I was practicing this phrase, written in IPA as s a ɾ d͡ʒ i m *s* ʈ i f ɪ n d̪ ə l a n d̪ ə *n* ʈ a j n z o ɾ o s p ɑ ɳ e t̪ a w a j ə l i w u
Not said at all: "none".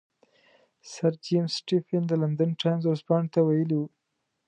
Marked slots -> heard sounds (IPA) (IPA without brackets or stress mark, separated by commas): s, n